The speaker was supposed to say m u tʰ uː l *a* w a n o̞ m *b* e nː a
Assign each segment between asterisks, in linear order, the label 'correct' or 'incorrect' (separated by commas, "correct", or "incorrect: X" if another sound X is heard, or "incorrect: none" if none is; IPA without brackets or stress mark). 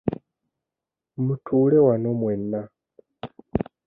incorrect: e, incorrect: w